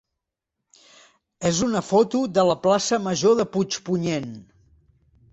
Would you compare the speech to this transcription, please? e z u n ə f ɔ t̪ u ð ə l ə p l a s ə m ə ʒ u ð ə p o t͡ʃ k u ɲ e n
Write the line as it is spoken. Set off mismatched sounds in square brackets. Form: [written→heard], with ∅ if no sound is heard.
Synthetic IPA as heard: e z u n ə f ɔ t̪ u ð ə l ə p l a s ə m ə ʒ [u→o] ð ə p [o→u] t͡ʃ [k→p] u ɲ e n